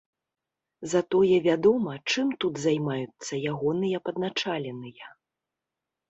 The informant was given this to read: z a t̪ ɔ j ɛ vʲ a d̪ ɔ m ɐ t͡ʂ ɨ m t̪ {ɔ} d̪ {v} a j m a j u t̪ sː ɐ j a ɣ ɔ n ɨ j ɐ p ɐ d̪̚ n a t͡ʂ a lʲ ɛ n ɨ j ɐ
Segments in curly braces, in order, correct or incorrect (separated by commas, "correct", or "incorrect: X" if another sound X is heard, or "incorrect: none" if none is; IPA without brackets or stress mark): incorrect: u, incorrect: z